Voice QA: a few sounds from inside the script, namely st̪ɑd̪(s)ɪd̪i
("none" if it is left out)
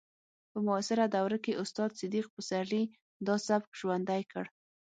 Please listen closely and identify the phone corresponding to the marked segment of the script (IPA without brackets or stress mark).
s